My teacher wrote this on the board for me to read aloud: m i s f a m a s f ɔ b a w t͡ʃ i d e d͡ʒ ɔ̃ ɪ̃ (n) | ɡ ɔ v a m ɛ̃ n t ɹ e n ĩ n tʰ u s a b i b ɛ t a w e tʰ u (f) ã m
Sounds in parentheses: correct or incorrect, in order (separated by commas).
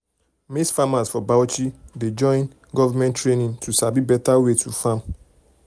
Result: correct, correct